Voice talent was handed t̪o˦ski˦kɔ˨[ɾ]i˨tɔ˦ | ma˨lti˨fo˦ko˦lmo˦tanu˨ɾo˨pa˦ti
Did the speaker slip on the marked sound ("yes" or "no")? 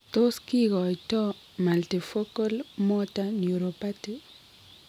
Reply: yes